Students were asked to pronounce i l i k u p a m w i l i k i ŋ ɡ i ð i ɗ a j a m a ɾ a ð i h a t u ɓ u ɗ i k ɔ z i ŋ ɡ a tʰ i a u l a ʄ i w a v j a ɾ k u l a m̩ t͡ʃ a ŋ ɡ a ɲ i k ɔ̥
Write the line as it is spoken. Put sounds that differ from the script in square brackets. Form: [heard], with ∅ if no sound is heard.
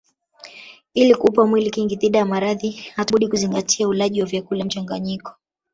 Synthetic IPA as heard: i l i k u p a m w i l i k i ŋ ɡ i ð i ɗ a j a m a ɾ a ð i h a t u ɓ u ɗ i k [u] z i ŋ ɡ a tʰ i a u l a ʄ i w a v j a [∅] k u l a m̩ t͡ʃ a ŋ ɡ a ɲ i k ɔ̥